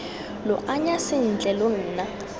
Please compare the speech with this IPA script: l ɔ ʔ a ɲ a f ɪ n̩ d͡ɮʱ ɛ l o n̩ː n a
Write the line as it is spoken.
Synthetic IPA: l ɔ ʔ a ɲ a s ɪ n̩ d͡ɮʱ ɛ l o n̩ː n a